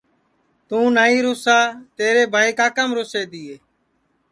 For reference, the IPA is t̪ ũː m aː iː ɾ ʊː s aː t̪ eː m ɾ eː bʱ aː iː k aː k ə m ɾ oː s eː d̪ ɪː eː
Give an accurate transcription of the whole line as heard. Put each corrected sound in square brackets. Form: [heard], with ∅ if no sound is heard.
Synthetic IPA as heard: t̪ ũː [n] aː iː ɾ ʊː s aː t̪ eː [∅] ɾ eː bʱ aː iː k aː k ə m ɾ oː s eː d̪ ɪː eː